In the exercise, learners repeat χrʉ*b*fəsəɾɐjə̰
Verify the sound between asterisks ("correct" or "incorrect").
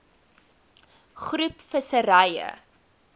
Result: incorrect